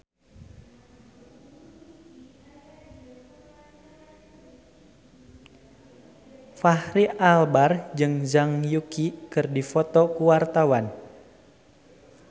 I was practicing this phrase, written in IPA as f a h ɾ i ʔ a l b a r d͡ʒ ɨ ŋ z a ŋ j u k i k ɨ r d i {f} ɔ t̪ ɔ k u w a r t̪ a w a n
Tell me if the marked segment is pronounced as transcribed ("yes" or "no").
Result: yes